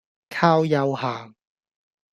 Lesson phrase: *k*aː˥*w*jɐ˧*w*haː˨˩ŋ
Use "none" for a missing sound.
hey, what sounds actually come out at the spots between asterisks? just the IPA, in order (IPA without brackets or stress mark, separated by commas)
kʰ, w, w